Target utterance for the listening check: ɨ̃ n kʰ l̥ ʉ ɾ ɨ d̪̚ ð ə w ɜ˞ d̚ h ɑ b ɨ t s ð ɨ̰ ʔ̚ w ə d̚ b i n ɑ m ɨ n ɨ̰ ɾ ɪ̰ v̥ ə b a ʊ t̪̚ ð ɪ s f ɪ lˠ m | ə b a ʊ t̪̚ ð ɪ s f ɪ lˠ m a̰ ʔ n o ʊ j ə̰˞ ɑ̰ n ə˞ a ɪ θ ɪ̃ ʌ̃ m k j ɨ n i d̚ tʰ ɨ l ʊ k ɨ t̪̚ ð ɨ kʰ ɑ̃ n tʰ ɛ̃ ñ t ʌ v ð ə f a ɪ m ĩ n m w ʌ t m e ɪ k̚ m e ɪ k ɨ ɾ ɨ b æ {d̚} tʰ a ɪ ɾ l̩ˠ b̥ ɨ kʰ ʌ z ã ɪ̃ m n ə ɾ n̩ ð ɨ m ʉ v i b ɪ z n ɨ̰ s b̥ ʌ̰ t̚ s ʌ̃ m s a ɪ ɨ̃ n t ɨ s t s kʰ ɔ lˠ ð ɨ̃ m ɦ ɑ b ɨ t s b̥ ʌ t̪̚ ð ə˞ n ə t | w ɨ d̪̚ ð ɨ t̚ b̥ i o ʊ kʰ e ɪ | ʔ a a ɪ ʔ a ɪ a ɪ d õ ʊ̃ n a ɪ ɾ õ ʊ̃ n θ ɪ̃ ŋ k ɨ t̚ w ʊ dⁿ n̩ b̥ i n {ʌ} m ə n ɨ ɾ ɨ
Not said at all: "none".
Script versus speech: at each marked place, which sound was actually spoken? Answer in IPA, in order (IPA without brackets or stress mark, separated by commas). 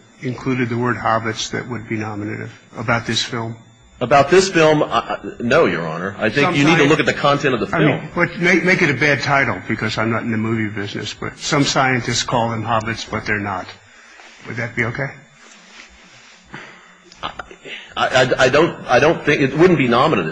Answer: d̚, ɑ